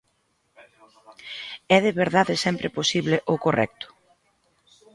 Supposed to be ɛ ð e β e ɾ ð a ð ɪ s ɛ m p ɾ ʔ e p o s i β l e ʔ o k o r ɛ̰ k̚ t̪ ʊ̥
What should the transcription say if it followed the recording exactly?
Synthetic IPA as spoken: ɛ ð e β e ɾ ð a ð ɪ s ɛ m p ɾ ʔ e p o s i β l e ʔ o k o r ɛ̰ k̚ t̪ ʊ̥